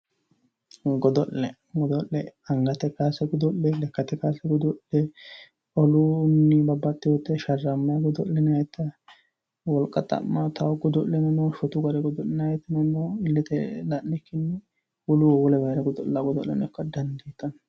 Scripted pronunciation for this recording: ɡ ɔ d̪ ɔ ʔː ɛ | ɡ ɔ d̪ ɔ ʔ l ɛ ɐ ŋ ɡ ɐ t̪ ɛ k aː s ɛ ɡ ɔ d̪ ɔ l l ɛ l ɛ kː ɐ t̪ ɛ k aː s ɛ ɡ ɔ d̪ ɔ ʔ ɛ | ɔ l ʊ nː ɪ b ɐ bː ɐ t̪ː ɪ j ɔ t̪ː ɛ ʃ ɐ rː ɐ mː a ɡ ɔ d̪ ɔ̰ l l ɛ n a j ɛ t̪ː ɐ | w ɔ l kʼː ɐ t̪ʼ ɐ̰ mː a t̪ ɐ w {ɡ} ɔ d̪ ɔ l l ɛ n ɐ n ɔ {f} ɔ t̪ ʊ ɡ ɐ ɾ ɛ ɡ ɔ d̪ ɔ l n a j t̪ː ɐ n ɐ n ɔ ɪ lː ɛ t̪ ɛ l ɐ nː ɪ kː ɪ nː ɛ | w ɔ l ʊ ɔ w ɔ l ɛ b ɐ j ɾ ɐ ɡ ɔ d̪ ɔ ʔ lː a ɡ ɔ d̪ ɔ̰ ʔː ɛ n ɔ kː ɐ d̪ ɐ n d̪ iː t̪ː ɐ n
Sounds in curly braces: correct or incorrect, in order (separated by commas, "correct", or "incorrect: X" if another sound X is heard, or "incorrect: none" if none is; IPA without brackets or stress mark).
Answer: correct, incorrect: ʃ